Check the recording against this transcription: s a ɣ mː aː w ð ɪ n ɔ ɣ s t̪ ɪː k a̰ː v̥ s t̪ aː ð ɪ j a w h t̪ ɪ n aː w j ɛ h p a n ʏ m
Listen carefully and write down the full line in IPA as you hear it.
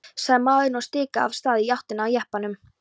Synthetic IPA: s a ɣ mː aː w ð ɪ n ɔ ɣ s t̪ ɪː k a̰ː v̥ s t̪ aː ð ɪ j a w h t̪ ɪ n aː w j ɛ h p a n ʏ m